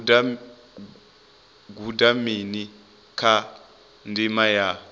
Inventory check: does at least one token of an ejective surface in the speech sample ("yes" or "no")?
no